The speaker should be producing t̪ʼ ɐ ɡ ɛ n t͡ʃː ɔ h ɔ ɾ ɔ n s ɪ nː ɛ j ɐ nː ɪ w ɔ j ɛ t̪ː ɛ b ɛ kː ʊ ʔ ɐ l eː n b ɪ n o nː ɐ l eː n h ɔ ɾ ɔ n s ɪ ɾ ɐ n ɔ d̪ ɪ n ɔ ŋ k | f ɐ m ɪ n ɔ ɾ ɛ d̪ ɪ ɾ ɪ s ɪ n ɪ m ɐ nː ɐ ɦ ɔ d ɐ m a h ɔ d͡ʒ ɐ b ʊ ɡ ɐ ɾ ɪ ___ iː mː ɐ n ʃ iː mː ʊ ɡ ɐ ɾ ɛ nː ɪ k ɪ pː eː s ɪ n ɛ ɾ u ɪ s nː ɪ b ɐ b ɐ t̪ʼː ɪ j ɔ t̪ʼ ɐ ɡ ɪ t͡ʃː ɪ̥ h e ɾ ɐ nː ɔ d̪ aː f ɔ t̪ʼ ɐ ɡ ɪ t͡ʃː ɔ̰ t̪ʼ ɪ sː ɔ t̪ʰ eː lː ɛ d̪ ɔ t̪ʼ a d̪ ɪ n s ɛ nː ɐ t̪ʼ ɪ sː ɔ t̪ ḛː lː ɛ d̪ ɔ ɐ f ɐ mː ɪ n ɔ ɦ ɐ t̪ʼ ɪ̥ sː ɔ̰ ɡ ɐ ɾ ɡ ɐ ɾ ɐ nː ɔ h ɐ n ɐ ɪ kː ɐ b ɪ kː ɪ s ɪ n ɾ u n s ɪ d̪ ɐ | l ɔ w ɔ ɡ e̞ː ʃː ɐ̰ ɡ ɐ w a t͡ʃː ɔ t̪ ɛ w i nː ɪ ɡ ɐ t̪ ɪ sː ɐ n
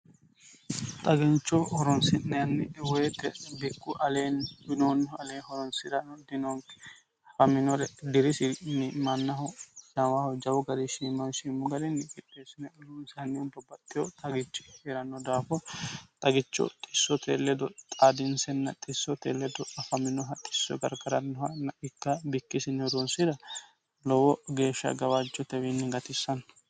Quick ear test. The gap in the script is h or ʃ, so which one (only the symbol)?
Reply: ʃ